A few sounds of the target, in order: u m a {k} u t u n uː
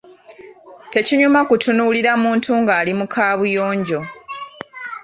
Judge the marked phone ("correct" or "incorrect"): correct